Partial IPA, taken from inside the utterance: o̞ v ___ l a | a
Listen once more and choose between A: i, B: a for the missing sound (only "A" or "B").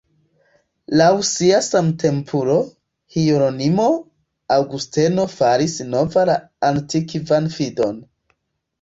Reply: B